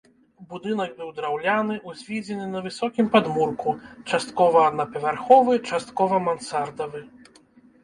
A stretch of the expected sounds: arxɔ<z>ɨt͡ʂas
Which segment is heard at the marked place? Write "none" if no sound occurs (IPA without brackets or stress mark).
v